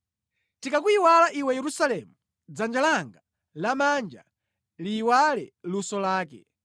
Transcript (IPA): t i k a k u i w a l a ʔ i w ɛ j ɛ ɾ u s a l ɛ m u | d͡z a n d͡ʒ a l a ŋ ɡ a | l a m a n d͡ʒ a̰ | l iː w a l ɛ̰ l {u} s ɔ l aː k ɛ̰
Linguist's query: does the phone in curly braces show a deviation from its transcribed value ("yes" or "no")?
no